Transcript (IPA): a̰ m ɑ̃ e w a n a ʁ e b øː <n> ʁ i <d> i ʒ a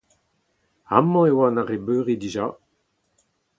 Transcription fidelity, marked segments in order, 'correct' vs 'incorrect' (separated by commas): incorrect, correct